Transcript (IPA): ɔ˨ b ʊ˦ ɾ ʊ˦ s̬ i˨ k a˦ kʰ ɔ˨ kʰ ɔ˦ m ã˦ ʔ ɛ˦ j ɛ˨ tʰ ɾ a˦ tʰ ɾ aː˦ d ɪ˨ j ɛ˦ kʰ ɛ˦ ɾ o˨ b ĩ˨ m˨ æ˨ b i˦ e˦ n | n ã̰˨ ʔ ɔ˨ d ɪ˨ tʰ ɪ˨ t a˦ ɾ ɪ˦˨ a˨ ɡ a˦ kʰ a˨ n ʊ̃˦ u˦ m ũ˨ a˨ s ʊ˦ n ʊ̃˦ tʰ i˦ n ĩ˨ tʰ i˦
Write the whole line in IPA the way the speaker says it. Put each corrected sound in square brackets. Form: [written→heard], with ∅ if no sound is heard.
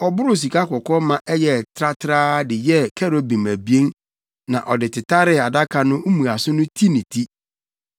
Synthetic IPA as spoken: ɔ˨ b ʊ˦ ɾ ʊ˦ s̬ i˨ k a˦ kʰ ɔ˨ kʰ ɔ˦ m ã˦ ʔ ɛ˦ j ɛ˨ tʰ ɾ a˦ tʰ ɾ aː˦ d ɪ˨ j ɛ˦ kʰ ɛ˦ ɾ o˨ b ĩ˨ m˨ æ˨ b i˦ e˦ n | n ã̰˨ ʔ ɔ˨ d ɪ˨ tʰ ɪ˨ t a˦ ɾ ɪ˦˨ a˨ [ɡ→d] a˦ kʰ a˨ n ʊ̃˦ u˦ m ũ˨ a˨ s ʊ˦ n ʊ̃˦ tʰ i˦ n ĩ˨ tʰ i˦

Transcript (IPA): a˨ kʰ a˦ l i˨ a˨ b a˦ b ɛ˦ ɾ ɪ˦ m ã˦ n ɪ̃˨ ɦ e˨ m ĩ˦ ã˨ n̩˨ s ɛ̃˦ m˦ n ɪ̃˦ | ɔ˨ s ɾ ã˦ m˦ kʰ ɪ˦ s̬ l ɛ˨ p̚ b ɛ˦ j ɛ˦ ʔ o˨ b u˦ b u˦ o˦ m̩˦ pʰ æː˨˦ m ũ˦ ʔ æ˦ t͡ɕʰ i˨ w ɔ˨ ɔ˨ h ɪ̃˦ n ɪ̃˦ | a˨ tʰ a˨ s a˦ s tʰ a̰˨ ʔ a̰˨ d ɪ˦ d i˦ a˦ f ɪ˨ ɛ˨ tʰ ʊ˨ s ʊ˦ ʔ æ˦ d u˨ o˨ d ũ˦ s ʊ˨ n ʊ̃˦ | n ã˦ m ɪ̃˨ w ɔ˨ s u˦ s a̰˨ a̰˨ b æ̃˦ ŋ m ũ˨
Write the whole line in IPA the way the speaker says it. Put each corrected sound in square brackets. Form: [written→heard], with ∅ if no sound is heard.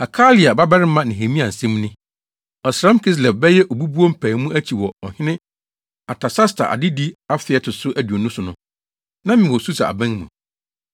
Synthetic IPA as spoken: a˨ kʰ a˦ l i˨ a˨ b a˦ b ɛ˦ ɾ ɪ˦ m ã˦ n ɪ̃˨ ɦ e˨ m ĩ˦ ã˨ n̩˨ s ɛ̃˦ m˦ n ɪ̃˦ | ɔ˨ s ɾ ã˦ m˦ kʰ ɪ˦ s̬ l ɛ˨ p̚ b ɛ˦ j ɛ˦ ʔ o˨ b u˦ b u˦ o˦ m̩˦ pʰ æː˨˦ m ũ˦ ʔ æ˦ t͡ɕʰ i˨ w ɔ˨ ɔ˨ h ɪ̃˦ n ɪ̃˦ | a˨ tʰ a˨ s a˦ s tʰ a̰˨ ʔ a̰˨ d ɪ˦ d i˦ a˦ f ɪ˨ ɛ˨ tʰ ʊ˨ s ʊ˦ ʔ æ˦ d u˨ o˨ [d→n] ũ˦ s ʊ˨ n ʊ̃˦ | n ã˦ m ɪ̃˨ w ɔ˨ s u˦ s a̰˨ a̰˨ b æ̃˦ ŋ m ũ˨

